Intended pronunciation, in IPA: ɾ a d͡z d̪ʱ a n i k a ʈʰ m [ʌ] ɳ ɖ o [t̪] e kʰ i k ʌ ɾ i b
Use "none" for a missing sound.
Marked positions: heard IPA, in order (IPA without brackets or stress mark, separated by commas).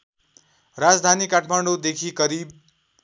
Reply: a, d̪